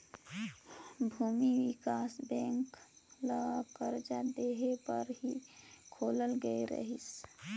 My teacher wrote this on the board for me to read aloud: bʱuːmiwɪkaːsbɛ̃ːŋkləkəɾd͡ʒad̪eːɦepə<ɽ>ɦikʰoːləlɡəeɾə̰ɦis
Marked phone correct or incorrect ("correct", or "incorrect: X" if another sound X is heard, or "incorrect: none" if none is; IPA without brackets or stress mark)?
incorrect: ɾ